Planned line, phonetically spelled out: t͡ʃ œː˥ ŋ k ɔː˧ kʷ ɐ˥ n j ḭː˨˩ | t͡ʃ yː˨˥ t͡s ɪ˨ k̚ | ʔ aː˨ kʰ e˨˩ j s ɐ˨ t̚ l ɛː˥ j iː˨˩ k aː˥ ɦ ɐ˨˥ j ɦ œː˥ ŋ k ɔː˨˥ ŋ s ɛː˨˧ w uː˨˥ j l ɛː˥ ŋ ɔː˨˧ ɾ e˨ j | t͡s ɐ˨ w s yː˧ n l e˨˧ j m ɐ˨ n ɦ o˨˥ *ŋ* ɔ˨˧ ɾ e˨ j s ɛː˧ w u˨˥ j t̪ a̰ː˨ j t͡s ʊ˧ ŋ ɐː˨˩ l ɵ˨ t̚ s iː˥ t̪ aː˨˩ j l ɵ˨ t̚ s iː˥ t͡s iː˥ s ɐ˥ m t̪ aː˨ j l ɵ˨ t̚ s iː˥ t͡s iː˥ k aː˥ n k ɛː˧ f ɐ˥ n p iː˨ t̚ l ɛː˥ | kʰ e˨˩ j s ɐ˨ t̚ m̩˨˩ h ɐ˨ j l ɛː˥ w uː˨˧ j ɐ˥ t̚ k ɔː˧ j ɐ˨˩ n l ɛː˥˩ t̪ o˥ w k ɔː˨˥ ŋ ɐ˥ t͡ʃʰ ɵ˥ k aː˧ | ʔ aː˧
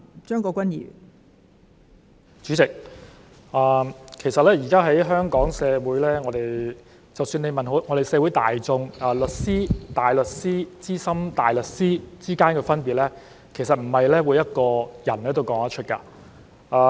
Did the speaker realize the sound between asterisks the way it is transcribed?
yes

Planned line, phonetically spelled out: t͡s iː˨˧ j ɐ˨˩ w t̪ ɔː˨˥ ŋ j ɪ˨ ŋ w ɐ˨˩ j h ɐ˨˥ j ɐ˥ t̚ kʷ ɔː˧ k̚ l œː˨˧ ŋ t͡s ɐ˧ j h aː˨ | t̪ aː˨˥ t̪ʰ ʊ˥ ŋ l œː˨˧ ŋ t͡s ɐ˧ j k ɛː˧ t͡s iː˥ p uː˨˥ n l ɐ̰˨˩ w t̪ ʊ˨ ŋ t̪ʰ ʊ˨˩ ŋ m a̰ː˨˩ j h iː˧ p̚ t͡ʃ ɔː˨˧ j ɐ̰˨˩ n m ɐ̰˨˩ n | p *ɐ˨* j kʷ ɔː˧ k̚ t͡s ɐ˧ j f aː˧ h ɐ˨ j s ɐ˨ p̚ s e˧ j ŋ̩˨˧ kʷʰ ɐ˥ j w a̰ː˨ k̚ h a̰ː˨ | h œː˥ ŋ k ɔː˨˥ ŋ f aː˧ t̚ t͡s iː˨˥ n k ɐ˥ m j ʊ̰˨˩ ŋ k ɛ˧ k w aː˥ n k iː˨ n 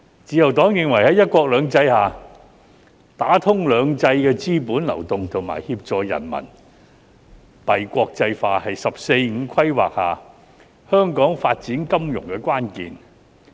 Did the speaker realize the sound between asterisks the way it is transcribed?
yes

